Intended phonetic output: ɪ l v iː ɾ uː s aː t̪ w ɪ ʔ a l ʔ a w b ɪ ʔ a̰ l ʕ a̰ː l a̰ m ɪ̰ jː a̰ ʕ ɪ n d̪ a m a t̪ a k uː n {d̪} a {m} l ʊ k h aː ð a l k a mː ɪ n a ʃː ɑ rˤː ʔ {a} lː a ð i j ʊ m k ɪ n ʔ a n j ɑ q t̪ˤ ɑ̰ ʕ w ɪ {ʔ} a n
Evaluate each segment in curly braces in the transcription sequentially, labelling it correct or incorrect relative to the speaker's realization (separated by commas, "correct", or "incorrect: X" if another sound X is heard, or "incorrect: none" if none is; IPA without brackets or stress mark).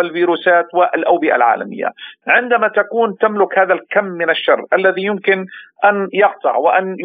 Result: incorrect: t̪, correct, correct, correct